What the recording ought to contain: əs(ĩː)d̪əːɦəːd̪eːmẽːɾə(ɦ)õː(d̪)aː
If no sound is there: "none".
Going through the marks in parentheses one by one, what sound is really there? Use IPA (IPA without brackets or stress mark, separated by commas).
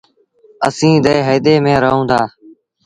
ĩː, ɦ, d̪